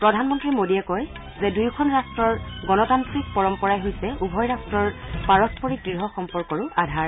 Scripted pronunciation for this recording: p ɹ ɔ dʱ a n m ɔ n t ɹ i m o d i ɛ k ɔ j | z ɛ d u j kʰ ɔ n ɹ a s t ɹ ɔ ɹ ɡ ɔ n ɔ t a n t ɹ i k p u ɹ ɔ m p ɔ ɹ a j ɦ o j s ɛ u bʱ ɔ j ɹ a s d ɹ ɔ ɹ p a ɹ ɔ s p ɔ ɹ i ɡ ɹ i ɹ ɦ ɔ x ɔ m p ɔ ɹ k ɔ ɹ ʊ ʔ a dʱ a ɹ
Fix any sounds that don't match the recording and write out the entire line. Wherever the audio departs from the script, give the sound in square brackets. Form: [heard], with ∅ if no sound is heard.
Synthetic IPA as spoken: p ɹ ɔ dʱ a n m ɔ n t ɹ i m o d i ɛ k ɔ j | z ɛ d u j kʰ ɔ n ɹ a s t ɹ ɔ ɹ ɡ ɔ n ɔ t a n t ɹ i k p [ɔ] ɹ ɔ m p ɔ ɹ a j ɦ o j s ɛ u bʱ ɔ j ɹ a s [t] ɹ ɔ ɹ p a ɹ ɔ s p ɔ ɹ i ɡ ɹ i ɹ ɦ ɔ x ɔ m p ɔ ɹ k ɔ ɹ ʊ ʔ a dʱ a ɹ